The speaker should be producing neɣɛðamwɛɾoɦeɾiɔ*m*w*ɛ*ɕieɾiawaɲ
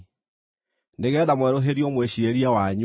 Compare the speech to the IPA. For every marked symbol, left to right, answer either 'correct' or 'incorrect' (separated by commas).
correct, incorrect